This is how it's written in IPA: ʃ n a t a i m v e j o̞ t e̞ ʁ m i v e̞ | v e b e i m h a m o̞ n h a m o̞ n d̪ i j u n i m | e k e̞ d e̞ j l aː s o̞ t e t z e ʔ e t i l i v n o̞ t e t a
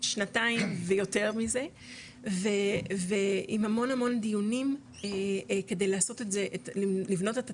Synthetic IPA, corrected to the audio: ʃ n a t a i m v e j o̞ t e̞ ʁ m i z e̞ | v e v e i m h a m o̞ n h a m o̞ n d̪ i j u n i m | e k e̞ d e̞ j l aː s o̞ t e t z e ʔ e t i l i v n o̞ t e t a